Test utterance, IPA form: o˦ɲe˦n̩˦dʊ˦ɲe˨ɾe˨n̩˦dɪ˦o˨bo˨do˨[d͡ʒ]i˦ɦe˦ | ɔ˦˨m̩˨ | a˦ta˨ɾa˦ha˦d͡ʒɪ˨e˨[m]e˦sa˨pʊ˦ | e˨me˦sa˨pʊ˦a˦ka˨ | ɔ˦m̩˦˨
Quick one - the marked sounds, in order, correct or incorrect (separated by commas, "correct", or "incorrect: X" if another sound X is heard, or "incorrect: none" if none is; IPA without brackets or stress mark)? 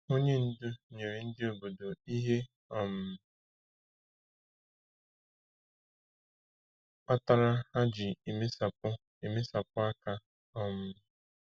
incorrect: none, correct